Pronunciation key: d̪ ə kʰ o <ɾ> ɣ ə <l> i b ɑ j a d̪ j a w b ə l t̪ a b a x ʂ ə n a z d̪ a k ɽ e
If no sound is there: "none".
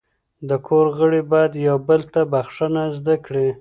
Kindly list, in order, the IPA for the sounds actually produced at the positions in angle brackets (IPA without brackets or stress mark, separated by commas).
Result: ɾ, ɽ